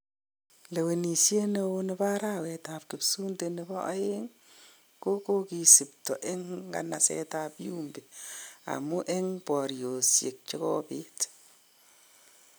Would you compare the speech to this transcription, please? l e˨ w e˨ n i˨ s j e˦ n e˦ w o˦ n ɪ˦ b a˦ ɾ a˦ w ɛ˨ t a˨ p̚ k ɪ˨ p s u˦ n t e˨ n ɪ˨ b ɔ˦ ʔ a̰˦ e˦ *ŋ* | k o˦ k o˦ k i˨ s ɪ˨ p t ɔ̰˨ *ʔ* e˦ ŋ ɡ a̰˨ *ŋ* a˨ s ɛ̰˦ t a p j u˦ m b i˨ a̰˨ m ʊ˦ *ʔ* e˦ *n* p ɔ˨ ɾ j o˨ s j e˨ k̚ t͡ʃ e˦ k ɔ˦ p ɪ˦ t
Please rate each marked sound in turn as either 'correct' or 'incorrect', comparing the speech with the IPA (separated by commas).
correct, correct, incorrect, correct, incorrect